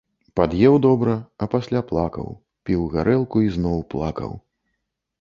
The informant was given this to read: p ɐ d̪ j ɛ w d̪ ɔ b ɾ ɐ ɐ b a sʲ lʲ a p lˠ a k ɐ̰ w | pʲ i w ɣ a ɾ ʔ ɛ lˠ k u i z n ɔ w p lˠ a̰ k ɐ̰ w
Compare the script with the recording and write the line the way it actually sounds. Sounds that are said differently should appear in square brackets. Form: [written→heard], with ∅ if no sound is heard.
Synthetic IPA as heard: p [ɐ→a] d̪ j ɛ w d̪ ɔ b ɾ ɐ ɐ [b→p] a sʲ lʲ a p lˠ a k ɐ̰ w | pʲ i w ɣ a ɾ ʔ ɛ lˠ k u i z n ɔ w p lˠ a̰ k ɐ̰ w